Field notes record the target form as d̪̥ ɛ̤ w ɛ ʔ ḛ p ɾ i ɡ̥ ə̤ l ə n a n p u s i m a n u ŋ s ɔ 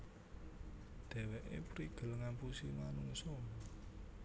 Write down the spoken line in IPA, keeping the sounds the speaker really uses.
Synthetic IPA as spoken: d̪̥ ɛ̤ w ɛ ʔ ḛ p ɾ i ɡ̥ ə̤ l ə ŋ a n p u s i m a n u ŋ s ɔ